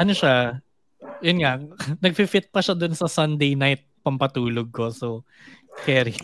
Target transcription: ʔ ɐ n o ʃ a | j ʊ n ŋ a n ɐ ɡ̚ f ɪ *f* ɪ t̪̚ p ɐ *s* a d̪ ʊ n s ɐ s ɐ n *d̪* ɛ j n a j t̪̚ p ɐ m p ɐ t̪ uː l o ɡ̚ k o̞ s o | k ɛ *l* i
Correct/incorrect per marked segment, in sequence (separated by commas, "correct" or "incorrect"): correct, incorrect, correct, incorrect